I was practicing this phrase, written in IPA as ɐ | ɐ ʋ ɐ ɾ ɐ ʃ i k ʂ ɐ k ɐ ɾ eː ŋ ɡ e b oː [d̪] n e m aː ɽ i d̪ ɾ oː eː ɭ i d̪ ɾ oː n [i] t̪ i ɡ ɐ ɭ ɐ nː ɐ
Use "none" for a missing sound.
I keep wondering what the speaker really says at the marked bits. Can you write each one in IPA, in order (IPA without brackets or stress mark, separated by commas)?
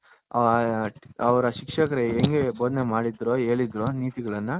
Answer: d̪, iː